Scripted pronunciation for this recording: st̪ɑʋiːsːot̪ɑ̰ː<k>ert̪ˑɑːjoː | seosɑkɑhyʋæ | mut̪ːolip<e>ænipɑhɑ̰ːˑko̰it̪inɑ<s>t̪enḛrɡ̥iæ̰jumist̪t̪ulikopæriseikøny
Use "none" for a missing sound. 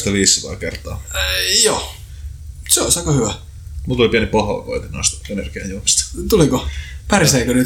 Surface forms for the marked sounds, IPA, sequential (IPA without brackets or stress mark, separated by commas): k, i, s